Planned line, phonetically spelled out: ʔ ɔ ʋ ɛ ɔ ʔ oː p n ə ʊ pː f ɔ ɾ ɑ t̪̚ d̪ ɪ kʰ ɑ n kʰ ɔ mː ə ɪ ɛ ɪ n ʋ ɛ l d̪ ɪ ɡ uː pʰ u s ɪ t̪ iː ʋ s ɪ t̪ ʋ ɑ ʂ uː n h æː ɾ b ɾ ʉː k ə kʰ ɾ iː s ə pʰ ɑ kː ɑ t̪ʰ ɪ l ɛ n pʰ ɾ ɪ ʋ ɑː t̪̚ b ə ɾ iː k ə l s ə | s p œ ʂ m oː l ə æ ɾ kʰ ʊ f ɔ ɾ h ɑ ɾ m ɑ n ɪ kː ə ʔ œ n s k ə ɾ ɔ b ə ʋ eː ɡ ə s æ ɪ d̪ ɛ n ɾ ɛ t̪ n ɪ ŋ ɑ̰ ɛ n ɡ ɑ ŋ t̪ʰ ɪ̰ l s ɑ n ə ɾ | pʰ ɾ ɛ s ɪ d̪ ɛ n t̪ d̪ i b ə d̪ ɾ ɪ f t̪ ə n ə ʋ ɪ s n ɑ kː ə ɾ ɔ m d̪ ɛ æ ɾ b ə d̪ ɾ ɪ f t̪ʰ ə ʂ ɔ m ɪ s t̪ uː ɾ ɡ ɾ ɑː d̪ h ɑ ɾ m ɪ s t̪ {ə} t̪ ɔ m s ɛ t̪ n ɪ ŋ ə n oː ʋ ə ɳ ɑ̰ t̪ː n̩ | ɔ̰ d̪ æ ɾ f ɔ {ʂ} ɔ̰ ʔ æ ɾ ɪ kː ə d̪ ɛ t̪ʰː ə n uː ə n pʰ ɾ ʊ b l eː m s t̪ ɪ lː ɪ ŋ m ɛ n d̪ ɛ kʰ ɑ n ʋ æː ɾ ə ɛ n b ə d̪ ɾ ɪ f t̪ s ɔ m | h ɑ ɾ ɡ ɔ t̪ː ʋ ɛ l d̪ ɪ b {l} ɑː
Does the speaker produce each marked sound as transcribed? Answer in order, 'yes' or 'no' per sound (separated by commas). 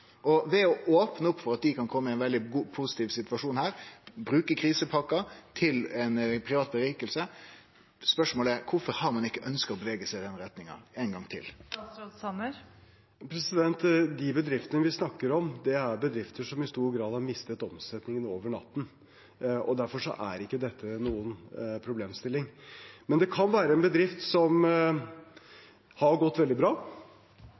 yes, yes, no